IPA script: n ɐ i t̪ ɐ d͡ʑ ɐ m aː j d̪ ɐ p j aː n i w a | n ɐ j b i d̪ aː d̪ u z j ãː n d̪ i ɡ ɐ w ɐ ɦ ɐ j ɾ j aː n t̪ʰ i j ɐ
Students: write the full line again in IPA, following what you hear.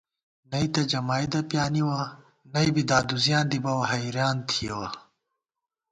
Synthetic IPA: n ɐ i t̪ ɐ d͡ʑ ɐ m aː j d̪ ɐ p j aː n i w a | n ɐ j b i d̪ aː d̪ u z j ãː n d̪ i b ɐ w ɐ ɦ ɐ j ɾ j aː n t̪ʰ i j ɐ